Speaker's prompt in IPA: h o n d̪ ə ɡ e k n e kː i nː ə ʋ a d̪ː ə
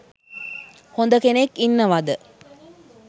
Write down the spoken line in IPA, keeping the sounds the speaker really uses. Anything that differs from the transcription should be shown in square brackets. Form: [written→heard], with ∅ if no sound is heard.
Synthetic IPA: h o n d̪ ə [ɡ→k] e [k→∅] n e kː i nː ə ʋ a [d̪ː→d̪] ə